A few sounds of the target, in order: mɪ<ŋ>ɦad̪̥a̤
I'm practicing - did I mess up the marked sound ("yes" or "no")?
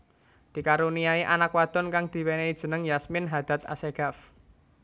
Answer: yes